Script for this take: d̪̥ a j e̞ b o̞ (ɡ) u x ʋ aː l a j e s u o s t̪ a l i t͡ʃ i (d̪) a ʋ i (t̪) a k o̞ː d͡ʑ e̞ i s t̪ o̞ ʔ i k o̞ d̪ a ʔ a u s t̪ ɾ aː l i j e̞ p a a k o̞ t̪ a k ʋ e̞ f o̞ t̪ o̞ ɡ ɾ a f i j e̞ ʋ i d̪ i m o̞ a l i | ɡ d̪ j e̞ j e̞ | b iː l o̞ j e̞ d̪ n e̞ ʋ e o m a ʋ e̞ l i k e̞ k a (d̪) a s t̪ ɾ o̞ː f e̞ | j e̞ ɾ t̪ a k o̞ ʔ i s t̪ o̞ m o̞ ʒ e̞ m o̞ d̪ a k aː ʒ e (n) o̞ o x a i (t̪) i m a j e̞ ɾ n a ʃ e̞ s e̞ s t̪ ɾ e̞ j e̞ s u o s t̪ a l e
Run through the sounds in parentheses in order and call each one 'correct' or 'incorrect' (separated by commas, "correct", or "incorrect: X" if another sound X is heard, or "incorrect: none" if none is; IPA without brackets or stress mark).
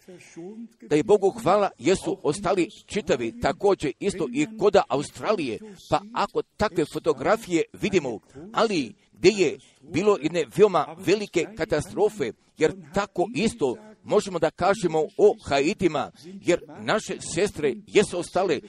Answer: correct, incorrect: t̪, correct, incorrect: t̪, incorrect: m, correct